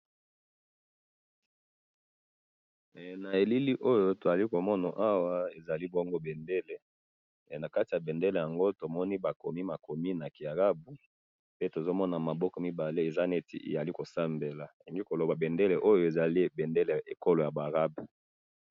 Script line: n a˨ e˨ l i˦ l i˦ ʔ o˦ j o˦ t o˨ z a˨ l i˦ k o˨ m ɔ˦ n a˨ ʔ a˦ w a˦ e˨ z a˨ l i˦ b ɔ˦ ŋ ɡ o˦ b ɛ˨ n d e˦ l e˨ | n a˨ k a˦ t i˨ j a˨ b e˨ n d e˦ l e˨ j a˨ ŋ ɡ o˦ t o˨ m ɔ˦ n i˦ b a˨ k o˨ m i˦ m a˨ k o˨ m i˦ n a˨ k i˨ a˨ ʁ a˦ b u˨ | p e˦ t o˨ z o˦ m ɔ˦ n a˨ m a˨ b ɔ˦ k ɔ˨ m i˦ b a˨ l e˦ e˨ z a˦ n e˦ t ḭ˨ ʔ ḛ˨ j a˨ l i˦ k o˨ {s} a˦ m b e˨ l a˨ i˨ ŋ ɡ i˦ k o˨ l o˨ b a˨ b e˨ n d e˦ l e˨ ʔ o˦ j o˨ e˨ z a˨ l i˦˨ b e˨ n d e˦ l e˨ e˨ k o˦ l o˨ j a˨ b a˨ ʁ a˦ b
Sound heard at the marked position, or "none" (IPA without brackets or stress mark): s